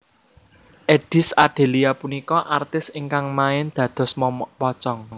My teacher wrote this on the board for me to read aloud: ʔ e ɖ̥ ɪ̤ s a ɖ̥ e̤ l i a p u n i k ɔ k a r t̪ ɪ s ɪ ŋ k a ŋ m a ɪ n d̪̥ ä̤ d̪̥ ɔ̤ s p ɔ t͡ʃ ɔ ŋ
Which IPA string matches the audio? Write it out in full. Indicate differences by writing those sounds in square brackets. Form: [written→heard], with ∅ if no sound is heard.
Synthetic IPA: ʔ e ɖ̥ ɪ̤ s a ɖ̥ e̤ l i a p u n i k ɔ [k→ʔ] a r t̪ ɪ s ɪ ŋ k a ŋ m a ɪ n d̪̥ ä̤ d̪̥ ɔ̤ s p ɔ t͡ʃ ɔ ŋ